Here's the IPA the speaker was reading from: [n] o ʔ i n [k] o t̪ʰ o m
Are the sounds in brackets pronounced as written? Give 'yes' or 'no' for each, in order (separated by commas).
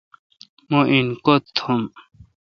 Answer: no, yes